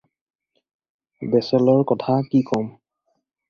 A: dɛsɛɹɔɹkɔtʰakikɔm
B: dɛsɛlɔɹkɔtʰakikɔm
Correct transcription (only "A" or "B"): B